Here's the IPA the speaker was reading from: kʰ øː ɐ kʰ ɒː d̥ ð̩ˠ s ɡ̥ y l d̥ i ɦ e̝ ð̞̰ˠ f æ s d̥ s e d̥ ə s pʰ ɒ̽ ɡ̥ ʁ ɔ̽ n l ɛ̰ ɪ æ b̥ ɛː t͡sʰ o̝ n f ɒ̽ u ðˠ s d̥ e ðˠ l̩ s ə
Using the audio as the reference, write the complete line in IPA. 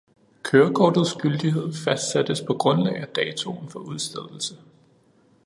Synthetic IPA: kʰ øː ɐ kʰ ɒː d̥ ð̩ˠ s ɡ̥ y l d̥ i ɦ e̝ ð̞̰ˠ f æ s d̥ s æ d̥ ə s pʰ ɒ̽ ɡ̥ ʁ ɔ̽ n l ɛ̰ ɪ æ d̥ ɛː t͡sʰ o̝ n f ɒ̽ u ðˠ s d̥ e ðˠ l̩ s ə